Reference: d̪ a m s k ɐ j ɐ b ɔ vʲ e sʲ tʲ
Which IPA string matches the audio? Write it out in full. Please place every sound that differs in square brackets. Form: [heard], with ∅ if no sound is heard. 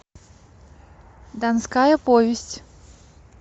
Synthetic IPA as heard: d̪ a [n] s k [a] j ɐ [p] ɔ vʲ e sʲ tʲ